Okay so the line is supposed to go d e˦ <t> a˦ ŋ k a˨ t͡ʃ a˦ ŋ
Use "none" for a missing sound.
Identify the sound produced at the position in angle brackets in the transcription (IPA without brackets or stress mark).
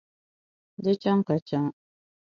t͡ʃ